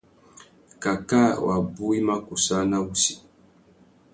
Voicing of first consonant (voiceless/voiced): voiceless